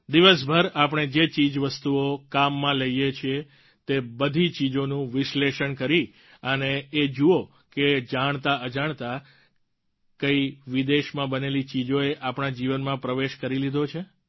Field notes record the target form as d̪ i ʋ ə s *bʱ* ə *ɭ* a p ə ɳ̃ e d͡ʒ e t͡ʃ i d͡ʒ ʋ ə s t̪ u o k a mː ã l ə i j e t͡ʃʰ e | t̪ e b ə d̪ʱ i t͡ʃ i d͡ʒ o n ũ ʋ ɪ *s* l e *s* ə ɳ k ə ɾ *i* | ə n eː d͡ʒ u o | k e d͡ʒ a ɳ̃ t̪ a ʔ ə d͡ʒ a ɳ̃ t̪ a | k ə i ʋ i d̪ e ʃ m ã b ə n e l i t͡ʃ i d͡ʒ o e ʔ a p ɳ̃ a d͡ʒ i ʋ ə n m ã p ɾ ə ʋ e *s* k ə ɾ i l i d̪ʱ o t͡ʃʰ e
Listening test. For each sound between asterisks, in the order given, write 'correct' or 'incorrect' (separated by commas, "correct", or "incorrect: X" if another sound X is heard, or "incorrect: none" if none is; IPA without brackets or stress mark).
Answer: correct, incorrect: ɾ, incorrect: ʃ, incorrect: ʃ, correct, incorrect: ʃ